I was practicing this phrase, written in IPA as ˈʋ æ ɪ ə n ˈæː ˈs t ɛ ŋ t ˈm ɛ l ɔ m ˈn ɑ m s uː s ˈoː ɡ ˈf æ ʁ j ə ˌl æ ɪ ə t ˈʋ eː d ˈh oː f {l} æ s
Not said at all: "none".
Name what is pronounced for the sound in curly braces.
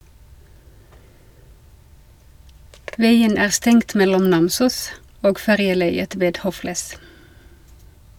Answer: l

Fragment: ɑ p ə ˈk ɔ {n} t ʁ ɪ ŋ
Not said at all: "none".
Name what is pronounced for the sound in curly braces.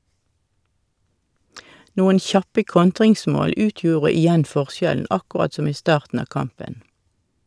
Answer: n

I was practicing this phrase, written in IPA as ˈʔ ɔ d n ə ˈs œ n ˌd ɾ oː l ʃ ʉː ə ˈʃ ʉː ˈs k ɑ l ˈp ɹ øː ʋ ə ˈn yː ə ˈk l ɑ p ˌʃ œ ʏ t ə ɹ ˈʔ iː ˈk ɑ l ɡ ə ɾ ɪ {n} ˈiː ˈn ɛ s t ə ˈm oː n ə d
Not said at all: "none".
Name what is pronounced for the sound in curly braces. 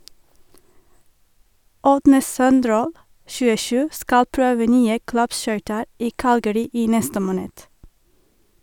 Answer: none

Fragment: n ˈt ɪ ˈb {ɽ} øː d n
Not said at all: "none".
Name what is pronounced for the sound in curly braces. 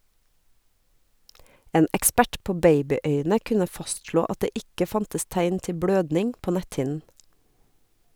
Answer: ɽ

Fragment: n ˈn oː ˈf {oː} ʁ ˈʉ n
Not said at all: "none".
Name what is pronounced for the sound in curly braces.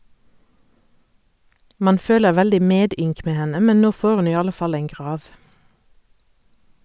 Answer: oː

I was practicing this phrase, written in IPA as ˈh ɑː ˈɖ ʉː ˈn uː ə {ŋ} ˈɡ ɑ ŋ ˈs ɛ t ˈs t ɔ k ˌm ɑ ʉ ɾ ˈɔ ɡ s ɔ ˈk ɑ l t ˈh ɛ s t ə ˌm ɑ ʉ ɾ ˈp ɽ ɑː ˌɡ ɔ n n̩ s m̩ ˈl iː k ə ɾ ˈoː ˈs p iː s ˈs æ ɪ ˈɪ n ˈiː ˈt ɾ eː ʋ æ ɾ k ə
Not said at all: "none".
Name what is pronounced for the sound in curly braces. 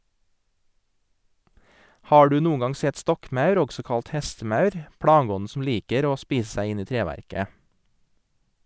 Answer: ŋ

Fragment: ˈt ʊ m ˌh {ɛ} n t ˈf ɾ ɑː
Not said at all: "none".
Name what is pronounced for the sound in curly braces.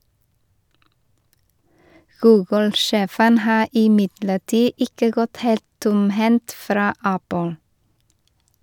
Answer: ɛ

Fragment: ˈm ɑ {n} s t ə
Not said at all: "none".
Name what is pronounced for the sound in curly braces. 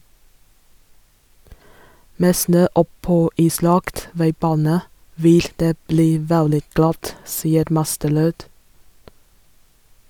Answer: none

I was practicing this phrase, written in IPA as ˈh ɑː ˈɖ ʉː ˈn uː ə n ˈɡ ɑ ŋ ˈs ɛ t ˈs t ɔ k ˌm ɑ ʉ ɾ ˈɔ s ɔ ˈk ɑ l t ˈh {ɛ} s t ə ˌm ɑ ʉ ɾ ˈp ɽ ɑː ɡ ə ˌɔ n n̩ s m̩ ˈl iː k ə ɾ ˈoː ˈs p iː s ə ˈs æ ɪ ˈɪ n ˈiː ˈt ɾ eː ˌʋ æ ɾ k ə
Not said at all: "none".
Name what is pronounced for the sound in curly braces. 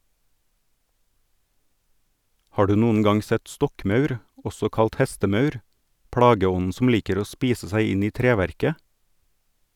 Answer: ɛ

